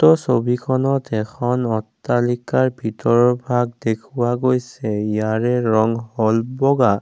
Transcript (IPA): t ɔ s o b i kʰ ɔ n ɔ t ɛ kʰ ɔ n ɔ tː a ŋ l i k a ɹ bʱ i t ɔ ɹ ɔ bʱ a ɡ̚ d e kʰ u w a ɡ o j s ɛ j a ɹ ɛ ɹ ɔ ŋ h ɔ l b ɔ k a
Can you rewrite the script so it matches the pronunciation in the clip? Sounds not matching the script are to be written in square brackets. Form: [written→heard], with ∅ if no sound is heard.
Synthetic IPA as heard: t ɔ s o b i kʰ ɔ n ɔ t ɛ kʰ ɔ n ɔ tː a [ŋ→∅] l i k a ɹ bʱ i t ɔ ɹ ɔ bʱ a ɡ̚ d e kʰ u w a ɡ o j s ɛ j a ɹ ɛ ɹ ɔ ŋ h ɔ l b ɔ [k→ɡ] a